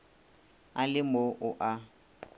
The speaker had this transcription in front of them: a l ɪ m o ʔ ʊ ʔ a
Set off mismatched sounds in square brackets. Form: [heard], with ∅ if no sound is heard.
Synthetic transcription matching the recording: a l ɪ m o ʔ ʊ ʔ a